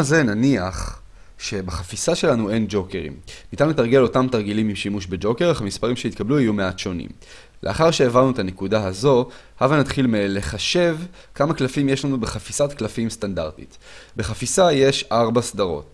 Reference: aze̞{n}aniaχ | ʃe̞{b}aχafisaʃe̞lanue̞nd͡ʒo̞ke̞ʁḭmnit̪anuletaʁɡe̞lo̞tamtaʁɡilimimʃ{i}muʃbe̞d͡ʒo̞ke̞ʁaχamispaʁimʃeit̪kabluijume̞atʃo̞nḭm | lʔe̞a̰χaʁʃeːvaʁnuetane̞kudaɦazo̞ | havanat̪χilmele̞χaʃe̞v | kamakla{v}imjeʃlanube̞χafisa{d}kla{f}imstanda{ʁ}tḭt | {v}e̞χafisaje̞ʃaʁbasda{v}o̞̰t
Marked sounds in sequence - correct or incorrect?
correct, correct, correct, incorrect: f, incorrect: t, correct, correct, incorrect: b, incorrect: ʁ

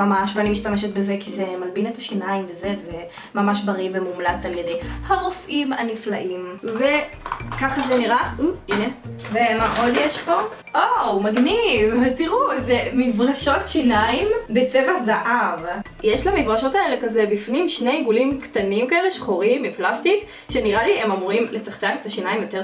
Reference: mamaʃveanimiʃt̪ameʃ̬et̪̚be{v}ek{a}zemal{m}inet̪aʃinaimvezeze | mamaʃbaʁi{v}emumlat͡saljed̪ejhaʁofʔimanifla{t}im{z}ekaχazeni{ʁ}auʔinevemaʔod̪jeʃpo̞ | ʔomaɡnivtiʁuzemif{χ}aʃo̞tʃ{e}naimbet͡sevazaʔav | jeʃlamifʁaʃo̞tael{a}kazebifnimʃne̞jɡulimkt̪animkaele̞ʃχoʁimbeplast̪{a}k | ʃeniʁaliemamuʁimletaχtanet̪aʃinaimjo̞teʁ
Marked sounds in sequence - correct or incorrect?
incorrect: z, incorrect: i, incorrect: b, correct, incorrect: ʔ, incorrect: v, correct, incorrect: ʁ, incorrect: i, incorrect: e, incorrect: i

